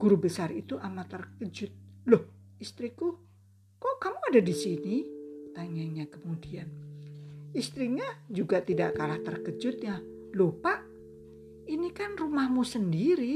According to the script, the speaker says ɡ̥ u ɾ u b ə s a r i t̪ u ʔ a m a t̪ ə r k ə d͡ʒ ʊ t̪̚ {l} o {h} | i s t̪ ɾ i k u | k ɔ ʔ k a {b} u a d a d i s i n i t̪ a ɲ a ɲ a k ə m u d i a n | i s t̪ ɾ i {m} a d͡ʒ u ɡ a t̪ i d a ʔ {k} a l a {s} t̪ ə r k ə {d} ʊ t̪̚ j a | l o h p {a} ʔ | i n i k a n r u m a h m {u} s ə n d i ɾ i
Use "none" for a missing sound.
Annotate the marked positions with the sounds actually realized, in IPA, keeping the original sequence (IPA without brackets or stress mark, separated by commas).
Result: l, h, m, ɲ, k, h, d͡ʒ, a, u